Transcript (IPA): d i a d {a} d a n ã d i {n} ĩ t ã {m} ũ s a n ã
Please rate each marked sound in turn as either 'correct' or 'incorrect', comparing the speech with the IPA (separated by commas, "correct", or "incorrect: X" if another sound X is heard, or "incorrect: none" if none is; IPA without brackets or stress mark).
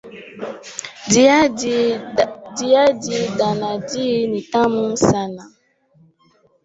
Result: incorrect: i, correct, correct